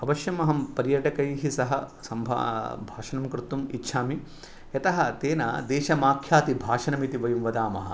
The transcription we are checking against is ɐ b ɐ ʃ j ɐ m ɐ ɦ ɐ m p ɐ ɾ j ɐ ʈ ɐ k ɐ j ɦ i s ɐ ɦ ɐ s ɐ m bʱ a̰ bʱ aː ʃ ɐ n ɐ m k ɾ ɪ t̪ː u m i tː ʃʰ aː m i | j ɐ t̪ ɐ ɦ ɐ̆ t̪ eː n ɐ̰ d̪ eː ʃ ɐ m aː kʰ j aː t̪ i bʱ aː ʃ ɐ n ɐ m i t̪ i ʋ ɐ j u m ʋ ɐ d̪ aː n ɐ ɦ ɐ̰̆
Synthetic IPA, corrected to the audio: ɐ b ɐ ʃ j ɐ m ɐ ɦ ɐ m p ɐ ɾ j ɐ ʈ ɐ k ɐ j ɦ i s ɐ ɦ ɐ s ɐ m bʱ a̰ bʱ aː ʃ ɐ n ɐ m k ɾ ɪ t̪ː u m i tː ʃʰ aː m i | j ɐ t̪ ɐ ɦ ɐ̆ t̪ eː n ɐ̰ d̪ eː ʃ ɐ m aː kʰ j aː t̪ i bʱ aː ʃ ɐ n ɐ m i t̪ i ʋ ɐ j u m ʋ ɐ d̪ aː m ɐ ɦ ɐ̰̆